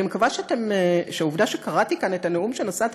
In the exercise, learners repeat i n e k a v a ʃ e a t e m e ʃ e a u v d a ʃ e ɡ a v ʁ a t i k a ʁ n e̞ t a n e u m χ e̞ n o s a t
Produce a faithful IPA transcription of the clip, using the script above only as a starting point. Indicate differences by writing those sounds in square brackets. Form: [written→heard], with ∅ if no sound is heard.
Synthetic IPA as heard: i [n→m] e k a v a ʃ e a t e m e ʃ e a u v d a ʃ e [ɡ→k] a [v→∅] ʁ a t i k a [ʁ→∅] n e̞ t a n e u m [χ→ʃ] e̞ n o s a t